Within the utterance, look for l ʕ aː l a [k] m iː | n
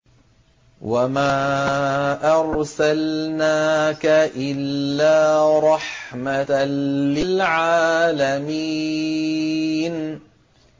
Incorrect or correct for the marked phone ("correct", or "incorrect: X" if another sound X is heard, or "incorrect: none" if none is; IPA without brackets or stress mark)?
incorrect: none